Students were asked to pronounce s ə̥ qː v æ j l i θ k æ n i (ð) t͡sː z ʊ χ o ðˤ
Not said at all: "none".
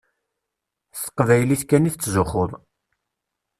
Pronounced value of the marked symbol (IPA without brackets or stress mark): θ